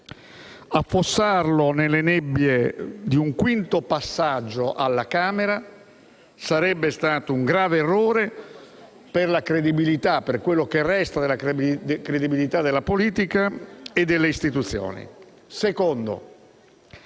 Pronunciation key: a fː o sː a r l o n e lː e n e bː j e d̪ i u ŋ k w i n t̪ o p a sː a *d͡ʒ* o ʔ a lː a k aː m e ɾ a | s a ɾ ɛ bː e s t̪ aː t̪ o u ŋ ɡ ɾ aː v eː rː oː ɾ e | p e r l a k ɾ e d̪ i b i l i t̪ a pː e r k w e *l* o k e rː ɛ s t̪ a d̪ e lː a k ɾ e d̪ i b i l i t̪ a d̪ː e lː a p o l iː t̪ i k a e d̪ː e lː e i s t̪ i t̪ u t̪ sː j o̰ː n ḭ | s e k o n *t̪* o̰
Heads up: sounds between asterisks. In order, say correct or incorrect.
incorrect, incorrect, incorrect

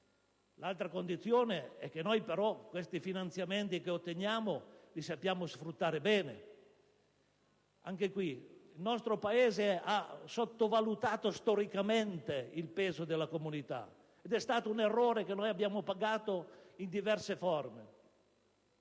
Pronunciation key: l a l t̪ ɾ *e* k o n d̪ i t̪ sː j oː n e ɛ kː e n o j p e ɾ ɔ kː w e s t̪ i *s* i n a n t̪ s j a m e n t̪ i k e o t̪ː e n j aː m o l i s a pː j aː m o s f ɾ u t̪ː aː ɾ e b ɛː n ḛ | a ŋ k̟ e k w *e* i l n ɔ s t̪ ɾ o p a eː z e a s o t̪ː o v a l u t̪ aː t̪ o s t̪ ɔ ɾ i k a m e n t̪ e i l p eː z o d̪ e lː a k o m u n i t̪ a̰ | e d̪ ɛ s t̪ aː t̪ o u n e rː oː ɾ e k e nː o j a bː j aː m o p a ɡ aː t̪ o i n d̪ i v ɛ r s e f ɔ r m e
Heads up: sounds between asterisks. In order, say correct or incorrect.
incorrect, incorrect, incorrect

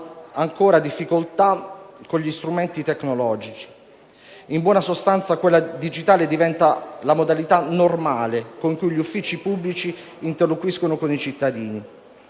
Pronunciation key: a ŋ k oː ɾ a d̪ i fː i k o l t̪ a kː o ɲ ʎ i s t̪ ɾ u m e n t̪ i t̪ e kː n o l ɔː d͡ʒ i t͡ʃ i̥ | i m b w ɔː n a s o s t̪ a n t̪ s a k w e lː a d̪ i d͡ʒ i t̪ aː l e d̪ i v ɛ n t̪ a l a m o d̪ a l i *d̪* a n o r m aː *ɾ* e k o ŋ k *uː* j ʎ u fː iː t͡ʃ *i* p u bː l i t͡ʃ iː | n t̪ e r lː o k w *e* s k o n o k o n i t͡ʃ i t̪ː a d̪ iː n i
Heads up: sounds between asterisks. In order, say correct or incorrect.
incorrect, incorrect, incorrect, correct, incorrect

